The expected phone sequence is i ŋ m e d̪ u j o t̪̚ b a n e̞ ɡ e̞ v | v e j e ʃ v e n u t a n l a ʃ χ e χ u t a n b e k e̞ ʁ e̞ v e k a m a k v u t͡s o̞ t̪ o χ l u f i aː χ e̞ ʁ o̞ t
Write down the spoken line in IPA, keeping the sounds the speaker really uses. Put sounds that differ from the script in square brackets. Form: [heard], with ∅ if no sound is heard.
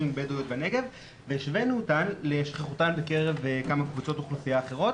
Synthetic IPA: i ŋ [b] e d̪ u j o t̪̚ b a n e̞ ɡ e̞ v | v e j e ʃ v e n u t a n l [e] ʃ χ e χ u t a n b e k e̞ ʁ e̞ v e k a m a k v u t͡s o̞ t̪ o χ l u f i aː χ e̞ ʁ o̞ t